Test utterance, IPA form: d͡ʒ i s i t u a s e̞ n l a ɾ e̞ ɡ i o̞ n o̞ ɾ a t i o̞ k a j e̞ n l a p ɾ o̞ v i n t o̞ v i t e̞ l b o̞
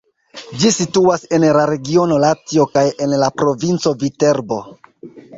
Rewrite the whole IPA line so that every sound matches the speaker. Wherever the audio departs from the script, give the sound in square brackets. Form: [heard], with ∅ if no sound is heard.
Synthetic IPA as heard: d͡ʒ i s i t u a s e̞ n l a ɾ e̞ ɡ i o̞ n o̞ [l] a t i o̞ k a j e̞ n l a p ɾ o̞ v i n [t͡s] o̞ v i t e̞ [ɾ] b o̞